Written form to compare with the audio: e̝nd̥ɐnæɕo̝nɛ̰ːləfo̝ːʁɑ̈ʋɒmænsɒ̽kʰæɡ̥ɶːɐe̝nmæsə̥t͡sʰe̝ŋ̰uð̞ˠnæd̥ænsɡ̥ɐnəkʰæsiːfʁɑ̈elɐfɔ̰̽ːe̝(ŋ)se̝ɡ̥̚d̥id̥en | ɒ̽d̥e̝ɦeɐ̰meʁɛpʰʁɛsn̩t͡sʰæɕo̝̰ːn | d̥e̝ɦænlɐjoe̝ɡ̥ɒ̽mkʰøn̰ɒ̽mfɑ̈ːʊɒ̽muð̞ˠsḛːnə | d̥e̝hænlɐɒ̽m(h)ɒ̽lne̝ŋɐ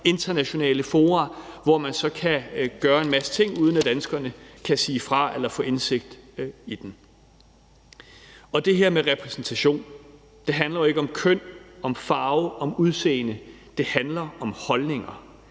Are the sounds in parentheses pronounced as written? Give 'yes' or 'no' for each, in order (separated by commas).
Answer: no, yes